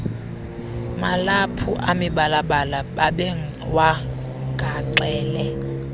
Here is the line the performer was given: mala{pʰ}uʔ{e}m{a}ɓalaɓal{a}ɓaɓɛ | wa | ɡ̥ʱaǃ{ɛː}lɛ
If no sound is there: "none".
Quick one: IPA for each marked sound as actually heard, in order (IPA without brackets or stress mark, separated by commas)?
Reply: pʰ, a, i, a, ɛː